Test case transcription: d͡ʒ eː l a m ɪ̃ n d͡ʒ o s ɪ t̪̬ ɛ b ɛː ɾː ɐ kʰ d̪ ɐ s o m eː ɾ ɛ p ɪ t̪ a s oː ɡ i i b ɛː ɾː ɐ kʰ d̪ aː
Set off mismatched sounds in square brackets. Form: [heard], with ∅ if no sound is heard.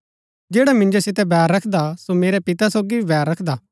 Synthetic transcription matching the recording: d͡ʒ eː [ɽ] a m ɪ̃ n d͡ʒ o s ɪ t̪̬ ɛ b ɛː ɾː ɐ kʰ d̪ [a] s o m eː ɾ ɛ p ɪ t̪ a s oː ɡ i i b ɛː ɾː ɐ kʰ d̪ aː